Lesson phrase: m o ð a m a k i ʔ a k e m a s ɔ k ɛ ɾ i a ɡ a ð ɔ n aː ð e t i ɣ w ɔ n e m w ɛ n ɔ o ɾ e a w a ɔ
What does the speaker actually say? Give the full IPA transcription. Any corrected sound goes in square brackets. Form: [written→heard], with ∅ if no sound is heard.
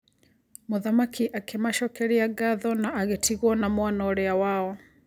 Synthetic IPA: m o ð a m a k i ʔ a k e m a [s→ʃ] ɔ k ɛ ɾ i a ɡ a ð ɔ n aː [ð→ɣ] e t i ɣ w ɔ n [e→a] m w [ɛ→a] n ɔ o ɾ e a w a ɔ